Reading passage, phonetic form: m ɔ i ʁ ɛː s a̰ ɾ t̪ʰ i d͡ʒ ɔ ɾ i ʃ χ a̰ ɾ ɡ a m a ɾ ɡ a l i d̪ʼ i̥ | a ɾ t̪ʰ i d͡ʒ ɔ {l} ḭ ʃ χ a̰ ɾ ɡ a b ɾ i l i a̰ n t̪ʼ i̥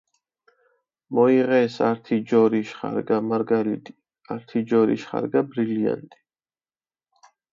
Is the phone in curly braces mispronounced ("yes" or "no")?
yes